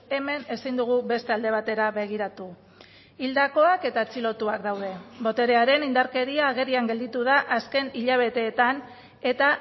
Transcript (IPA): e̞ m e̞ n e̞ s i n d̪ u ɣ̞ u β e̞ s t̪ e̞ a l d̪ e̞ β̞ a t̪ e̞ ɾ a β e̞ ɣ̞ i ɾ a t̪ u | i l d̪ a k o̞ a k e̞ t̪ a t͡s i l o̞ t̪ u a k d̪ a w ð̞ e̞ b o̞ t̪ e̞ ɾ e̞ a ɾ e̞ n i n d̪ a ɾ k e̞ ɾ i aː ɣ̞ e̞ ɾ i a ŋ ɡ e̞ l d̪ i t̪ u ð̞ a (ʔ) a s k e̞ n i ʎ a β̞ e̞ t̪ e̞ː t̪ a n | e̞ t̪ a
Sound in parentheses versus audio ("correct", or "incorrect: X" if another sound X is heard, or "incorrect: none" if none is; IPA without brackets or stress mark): correct